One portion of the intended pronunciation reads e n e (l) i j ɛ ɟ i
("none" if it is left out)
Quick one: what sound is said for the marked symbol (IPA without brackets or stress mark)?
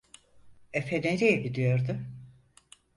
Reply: ɾ